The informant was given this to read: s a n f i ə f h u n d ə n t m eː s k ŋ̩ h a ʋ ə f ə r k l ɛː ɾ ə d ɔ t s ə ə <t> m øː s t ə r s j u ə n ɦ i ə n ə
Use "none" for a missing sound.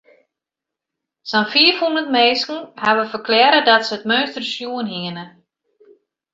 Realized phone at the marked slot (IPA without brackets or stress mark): t